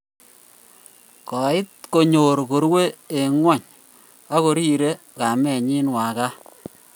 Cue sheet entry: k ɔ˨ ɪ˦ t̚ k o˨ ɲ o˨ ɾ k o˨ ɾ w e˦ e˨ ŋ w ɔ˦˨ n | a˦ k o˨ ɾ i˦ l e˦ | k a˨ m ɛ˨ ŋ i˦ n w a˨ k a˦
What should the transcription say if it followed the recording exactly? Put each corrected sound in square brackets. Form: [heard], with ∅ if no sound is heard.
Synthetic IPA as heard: k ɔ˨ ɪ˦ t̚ k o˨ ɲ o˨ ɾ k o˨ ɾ w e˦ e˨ ŋ w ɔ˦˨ [ɲ] | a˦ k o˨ ɾ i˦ [ɾ] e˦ | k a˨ m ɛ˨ [ɲ] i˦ n w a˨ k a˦